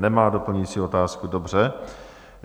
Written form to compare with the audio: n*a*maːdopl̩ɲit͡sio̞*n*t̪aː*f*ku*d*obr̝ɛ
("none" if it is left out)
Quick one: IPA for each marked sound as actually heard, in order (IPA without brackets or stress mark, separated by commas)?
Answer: ɛ, none, s, d